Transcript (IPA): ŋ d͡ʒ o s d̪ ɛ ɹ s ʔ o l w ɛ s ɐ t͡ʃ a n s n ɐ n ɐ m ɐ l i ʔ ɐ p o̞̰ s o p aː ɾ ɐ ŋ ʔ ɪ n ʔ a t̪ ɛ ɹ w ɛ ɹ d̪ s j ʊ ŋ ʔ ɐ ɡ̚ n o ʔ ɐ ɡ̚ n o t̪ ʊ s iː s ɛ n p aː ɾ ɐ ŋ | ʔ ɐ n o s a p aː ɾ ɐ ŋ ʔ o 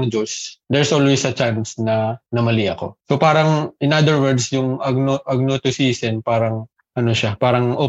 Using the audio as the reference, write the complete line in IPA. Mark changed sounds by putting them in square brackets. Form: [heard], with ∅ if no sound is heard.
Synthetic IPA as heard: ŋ d͡ʒ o s d̪ ɛ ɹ s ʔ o l w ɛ s ɐ t͡ʃ a n s n ɐ n ɐ m ɐ l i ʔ ɐ [k] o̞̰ s o p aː ɾ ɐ ŋ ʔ ɪ n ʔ a [d̪] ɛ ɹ w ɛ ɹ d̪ s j ʊ ŋ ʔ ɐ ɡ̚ n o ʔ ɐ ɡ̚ n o t̪ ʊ s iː s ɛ n p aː ɾ ɐ ŋ | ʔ ɐ n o [ʃ] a p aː ɾ ɐ ŋ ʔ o